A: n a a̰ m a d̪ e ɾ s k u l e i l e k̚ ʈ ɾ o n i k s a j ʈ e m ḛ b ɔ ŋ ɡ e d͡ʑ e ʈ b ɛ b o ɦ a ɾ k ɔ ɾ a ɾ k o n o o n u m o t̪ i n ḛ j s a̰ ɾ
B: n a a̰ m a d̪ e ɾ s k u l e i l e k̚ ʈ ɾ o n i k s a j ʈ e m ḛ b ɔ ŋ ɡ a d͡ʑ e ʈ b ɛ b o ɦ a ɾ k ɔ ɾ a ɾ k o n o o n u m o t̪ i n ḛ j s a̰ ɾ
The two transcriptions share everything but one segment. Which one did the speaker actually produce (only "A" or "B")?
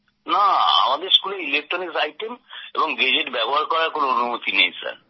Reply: A